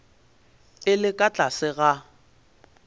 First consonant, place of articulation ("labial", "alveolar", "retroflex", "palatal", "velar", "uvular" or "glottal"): alveolar